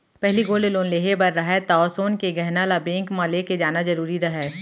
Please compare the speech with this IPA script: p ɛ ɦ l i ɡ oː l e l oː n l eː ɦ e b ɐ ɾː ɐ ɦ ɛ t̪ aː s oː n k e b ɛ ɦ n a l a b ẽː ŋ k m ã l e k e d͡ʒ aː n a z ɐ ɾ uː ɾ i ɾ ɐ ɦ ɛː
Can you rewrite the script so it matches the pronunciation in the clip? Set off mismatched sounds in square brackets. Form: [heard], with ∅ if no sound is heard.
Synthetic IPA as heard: p ɛ ɦ l i ɡ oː l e l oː n l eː ɦ e b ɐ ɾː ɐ ɦ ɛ t̪ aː s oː n k e [ɡ] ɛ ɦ n a l a b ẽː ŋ k m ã l e k e d͡ʒ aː n a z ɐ ɾ uː ɾ i ɾ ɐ ɦ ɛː